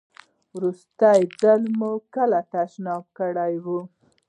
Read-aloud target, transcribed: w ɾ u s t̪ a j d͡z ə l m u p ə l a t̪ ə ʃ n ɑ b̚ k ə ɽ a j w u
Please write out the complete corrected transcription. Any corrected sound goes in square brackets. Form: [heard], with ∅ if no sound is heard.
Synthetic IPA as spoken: w ɾ u s t̪ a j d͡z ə l m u [k] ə l a t̪ [a] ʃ n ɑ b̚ k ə ɽ a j w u